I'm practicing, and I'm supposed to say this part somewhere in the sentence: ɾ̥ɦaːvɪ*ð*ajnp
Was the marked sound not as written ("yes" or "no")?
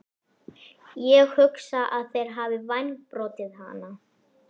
yes